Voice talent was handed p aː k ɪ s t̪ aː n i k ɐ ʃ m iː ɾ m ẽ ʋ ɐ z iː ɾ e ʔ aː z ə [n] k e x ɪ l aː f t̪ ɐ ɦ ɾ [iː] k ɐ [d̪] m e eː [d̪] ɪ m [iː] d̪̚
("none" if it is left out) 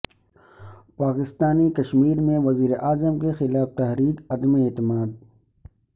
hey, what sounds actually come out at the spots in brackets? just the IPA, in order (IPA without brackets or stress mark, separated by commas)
m, iː, d̪, t̪, aː